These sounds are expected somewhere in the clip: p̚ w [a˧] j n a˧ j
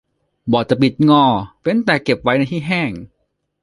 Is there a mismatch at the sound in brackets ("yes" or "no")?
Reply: yes